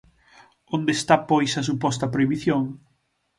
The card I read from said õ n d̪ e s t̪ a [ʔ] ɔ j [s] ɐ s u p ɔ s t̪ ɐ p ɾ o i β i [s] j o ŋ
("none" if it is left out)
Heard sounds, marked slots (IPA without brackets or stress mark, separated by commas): p, s, θ